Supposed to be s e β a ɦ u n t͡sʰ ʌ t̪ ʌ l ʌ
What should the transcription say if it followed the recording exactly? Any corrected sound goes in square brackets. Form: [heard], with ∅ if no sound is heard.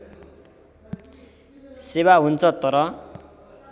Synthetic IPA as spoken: s e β a ɦ u n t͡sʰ ʌ t̪ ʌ [ɾ] ʌ